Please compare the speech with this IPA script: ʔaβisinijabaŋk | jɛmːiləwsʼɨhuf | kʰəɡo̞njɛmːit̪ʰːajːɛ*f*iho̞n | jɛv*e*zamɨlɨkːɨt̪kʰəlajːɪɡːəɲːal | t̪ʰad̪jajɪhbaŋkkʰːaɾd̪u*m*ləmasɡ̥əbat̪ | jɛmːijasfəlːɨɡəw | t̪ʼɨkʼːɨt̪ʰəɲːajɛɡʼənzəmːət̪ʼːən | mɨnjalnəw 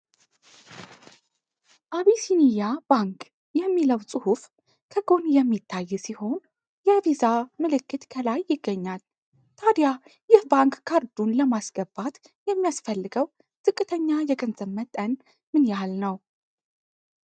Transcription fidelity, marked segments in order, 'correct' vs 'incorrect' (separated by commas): incorrect, incorrect, incorrect